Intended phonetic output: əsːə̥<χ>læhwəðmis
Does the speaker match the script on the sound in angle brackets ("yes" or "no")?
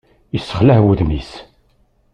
yes